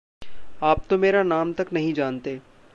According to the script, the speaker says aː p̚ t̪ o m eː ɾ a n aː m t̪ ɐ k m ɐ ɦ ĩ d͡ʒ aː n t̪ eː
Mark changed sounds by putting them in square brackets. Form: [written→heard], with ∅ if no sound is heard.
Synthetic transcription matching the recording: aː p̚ t̪ o m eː ɾ a n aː m t̪ ɐ k [m→n] ɐ ɦ ĩ d͡ʒ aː n t̪ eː